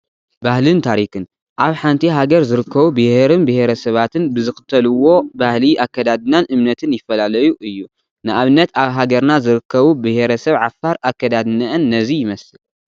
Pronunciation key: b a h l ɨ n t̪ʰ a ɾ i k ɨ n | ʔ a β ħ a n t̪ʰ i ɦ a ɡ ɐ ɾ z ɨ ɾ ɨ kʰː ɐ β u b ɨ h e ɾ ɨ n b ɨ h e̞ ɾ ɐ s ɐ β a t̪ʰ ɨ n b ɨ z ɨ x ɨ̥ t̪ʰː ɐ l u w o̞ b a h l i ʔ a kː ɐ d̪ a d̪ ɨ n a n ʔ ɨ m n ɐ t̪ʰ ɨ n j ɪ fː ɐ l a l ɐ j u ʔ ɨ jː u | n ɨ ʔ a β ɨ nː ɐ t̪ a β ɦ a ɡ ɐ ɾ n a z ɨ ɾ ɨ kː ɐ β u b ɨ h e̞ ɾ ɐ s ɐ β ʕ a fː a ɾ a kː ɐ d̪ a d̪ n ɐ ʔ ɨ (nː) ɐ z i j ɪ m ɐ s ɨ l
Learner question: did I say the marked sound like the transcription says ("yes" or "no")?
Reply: yes